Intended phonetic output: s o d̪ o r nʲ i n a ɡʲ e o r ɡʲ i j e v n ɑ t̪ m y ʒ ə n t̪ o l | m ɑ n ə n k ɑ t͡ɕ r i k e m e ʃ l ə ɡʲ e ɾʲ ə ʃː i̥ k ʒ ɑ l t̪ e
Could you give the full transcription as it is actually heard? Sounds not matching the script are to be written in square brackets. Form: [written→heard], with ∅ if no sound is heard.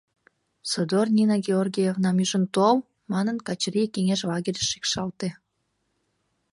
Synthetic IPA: s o d̪ o r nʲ i n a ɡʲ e o r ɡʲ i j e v n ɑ [t̪→∅] m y ʒ ə n t̪ o l | m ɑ n ə n k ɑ t͡ɕ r i k e [m→ŋ] e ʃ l [ə→ɑ] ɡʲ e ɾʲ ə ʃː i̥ k [ʒ→ʃ] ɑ l t̪ e